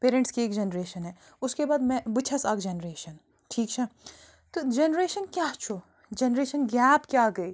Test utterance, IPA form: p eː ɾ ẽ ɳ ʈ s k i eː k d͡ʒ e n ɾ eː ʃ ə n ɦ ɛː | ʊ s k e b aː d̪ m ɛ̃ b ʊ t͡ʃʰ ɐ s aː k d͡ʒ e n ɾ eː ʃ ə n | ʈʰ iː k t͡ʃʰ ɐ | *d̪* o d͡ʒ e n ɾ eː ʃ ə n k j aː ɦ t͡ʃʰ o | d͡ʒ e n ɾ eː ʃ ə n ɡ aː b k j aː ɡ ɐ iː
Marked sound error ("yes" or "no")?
yes